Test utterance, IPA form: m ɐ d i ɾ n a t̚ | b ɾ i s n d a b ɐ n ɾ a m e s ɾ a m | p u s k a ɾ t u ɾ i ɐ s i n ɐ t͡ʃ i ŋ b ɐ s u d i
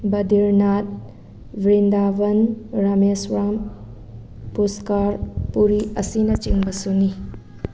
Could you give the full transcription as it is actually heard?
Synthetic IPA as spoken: b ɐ d i ɾ n a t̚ | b ɾ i n d a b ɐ n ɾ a m e s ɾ a m | p u s k a ɾ p u ɾ i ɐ s i n ɐ t͡ʃ i ŋ b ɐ s u n i